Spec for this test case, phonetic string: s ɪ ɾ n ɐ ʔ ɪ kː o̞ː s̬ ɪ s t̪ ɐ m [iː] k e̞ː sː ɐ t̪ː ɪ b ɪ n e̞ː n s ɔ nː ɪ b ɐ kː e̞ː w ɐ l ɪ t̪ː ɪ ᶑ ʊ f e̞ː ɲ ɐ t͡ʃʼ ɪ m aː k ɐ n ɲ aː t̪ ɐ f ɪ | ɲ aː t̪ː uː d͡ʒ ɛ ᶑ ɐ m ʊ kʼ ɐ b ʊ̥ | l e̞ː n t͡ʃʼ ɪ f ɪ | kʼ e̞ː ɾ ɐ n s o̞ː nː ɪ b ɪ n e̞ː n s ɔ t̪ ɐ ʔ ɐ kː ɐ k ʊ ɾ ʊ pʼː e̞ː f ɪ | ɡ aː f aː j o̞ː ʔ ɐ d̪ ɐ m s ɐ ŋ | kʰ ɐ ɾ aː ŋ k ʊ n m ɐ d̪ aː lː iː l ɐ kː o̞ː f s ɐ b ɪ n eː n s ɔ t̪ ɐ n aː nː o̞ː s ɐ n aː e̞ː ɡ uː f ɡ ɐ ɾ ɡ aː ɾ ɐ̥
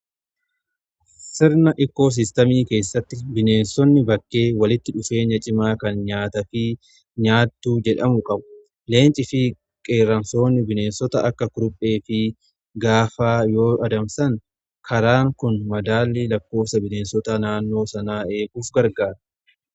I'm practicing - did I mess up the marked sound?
no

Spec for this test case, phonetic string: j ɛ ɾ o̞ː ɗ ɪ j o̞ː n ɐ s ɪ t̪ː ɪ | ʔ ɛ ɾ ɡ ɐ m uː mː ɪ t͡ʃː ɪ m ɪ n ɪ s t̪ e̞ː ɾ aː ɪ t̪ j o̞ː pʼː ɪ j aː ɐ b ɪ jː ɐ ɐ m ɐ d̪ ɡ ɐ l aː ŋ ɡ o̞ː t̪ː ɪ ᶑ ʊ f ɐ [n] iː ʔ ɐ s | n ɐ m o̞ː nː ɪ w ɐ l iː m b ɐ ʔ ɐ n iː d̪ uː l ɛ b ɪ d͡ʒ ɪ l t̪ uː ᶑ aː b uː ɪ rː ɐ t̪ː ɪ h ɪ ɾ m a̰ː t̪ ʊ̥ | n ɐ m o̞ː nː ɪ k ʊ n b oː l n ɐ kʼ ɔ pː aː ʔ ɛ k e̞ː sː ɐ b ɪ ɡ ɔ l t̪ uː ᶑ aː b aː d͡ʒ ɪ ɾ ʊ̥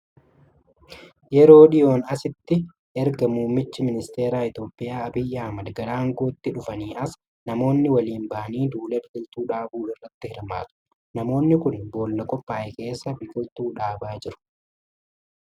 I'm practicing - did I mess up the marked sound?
no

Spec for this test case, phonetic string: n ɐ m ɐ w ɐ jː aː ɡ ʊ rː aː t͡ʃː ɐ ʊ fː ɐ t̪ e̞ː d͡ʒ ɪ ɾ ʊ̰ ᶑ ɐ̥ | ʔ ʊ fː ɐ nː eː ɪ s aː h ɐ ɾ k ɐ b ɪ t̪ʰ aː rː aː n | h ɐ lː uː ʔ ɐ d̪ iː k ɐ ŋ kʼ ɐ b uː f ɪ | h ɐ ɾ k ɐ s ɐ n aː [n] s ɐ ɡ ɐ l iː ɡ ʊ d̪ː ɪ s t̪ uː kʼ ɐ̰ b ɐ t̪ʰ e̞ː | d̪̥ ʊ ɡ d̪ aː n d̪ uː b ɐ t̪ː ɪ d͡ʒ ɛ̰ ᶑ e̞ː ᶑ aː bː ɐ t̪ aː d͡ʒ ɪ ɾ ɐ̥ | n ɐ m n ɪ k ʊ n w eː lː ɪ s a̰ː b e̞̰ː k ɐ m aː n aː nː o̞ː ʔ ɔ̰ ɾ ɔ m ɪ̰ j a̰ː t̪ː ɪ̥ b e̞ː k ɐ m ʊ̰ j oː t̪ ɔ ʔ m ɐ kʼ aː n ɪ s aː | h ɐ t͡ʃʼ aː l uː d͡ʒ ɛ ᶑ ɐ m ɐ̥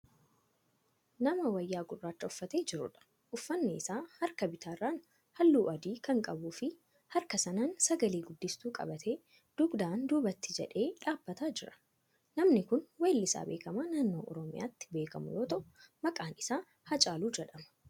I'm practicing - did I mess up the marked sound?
no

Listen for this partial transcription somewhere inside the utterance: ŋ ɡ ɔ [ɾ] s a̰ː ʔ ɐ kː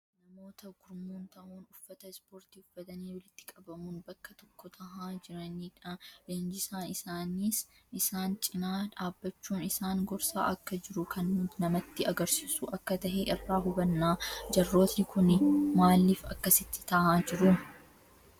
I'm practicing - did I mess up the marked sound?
no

